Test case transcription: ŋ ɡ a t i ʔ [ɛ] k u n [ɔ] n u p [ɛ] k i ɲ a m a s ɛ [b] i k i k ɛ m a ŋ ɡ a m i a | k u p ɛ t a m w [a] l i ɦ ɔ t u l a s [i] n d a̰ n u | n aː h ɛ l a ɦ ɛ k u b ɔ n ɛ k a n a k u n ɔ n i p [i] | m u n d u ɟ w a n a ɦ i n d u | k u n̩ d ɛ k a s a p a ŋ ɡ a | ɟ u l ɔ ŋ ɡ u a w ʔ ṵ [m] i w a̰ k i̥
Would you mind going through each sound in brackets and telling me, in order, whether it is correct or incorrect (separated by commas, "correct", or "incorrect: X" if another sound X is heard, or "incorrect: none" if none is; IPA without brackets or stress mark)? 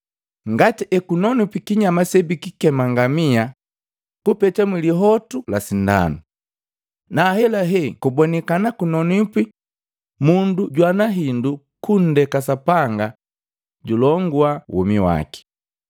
correct, correct, incorrect: i, correct, incorrect: i, correct, correct, correct